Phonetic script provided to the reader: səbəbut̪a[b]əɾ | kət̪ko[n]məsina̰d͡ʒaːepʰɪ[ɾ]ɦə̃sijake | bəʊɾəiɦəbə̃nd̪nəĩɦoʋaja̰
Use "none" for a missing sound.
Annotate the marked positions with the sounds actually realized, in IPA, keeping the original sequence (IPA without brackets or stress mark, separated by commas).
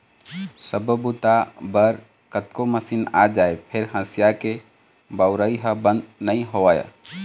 b, none, ɾ